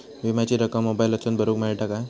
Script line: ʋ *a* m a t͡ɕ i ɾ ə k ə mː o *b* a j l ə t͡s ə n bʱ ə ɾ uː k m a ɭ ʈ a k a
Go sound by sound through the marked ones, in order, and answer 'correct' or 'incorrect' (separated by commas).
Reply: incorrect, correct